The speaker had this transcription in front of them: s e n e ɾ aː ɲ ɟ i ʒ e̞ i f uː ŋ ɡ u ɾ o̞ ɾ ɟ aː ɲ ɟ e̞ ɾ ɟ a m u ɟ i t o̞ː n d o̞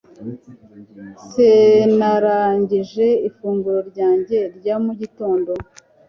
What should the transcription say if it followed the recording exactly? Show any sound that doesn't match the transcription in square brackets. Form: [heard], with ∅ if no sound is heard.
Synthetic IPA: s e n [a] ɾ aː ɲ ɟ i ʒ e̞ i f uː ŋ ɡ u ɾ o̞ ɾ ɟ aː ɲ ɟ e̞ ɾ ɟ a m u ɟ i t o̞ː n d o̞